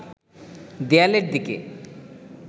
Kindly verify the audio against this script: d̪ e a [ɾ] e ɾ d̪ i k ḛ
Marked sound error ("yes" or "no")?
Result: yes